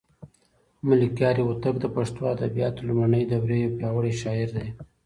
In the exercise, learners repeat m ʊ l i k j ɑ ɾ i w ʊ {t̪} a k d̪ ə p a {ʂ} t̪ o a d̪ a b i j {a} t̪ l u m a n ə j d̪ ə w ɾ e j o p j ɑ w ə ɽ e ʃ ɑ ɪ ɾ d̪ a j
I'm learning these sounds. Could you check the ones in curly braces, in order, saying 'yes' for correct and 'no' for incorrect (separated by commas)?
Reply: yes, yes, no